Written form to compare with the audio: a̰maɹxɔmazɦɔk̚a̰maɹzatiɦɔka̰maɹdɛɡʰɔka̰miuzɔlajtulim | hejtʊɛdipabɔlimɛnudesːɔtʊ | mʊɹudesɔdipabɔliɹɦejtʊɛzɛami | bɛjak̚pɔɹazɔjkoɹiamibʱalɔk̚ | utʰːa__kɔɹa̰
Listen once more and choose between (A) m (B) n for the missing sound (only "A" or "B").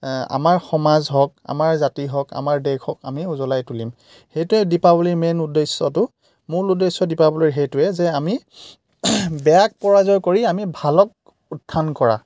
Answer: B